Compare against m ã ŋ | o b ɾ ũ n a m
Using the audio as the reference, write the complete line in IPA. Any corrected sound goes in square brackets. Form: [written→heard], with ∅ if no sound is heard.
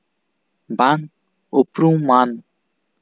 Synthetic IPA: [m→b] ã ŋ | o [b→p] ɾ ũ [n→m] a [m→n]